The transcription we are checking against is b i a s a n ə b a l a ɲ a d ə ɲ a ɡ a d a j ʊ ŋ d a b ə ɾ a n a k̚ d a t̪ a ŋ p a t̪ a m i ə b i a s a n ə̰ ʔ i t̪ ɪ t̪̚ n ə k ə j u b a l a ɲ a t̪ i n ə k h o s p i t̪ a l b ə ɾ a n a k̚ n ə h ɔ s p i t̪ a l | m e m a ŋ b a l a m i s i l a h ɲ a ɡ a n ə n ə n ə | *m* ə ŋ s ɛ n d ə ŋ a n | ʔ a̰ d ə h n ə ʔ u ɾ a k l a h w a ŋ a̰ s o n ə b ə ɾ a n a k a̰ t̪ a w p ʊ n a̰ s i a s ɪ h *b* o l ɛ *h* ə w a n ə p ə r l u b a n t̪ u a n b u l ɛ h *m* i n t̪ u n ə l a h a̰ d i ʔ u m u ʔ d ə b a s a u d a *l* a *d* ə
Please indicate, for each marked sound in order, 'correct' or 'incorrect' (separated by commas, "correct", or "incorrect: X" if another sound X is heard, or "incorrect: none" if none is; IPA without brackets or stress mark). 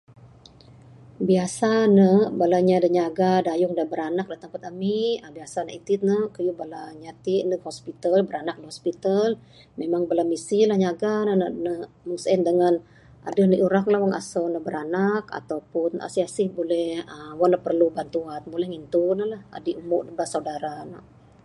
correct, correct, correct, incorrect: ŋ, incorrect: ɾ, incorrect: n